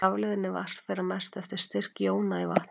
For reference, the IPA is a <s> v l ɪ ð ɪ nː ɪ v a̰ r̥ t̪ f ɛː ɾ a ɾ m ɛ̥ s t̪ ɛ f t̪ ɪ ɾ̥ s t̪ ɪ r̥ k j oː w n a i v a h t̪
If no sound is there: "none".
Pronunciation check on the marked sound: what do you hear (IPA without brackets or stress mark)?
none